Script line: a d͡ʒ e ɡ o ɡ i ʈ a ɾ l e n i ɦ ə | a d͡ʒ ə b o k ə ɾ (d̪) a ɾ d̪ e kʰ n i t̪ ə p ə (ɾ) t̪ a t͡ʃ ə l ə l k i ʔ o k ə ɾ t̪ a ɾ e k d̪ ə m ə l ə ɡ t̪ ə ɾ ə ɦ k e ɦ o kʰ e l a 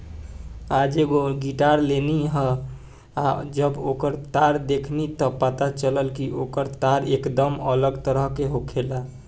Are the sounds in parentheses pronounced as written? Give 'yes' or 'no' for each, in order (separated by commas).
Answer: no, no